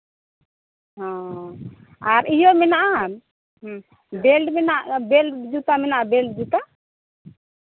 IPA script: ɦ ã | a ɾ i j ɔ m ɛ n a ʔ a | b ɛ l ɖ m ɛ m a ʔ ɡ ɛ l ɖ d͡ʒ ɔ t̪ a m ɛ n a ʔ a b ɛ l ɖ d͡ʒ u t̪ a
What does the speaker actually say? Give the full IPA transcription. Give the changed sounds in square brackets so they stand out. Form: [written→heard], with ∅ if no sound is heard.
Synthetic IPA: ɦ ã | a ɾ i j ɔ m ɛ n a ʔ a | b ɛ l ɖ m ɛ [m→n] a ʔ [ɡ→b] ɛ l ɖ d͡ʒ [ɔ→u] t̪ a m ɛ n a ʔ a b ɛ l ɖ d͡ʒ u t̪ a

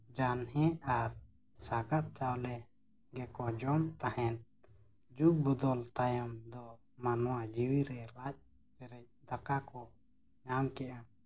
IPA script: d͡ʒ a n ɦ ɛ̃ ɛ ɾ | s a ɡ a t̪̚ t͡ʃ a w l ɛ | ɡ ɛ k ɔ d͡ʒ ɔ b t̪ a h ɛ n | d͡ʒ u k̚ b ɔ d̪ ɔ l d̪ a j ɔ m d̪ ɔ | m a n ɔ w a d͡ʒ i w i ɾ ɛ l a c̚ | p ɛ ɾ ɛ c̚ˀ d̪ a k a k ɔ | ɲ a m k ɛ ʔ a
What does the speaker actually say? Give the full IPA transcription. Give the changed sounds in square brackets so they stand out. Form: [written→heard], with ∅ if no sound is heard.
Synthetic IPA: d͡ʒ a n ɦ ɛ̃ [ɛ→a] ɾ | s a ɡ a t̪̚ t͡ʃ a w l ɛ | ɡ ɛ k ɔ d͡ʒ ɔ [b→m] t̪ a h ɛ n | d͡ʒ u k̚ b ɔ d̪ ɔ l [d̪→t̪] a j ɔ m d̪ ɔ | m a n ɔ w a d͡ʒ i w i ɾ ɛ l a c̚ | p ɛ ɾ ɛ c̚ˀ d̪ a k a k ɔ | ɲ a m k ɛ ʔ a

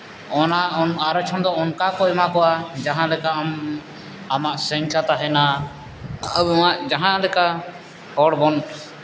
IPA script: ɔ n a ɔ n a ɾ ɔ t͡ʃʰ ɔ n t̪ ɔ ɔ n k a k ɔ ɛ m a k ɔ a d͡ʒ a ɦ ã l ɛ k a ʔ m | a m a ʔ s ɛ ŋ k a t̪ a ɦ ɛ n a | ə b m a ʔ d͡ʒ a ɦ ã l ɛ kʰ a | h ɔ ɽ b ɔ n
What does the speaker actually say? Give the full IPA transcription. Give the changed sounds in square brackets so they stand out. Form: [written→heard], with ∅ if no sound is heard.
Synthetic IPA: ɔ n a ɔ n a ɾ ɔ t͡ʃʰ ɔ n [t̪→d̪] ɔ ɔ n k a k ɔ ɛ m a k ɔ a d͡ʒ a ɦ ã l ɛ k a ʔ m | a m a ʔ s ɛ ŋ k a t̪ a ɦ ɛ n a | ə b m a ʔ d͡ʒ a ɦ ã l ɛ [kʰ→k] a | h ɔ ɽ b ɔ n

